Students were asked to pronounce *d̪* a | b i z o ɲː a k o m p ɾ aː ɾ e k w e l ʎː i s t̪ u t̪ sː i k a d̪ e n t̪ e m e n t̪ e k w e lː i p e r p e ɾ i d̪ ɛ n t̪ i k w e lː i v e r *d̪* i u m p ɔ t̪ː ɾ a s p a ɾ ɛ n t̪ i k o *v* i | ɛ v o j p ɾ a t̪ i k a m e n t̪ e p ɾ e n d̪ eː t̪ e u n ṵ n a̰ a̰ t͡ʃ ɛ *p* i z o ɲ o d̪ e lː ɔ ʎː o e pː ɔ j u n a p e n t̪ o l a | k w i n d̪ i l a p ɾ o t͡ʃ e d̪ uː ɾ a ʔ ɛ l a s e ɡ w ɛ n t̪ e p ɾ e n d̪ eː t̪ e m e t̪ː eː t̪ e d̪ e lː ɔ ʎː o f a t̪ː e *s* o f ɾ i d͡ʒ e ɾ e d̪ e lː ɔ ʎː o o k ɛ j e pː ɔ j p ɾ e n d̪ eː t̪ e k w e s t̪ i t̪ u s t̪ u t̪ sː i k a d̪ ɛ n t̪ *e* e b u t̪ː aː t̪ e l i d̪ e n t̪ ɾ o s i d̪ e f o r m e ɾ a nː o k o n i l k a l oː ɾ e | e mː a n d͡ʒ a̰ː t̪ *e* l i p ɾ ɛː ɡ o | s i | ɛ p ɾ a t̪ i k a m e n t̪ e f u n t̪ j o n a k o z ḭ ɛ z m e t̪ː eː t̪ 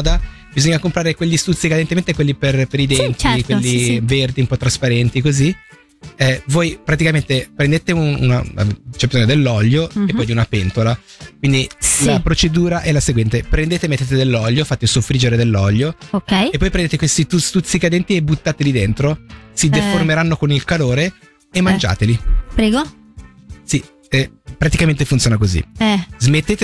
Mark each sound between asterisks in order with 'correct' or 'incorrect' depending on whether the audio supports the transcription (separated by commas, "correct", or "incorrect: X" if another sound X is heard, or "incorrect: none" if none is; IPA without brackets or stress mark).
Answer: correct, correct, incorrect: z, incorrect: b, correct, incorrect: i, correct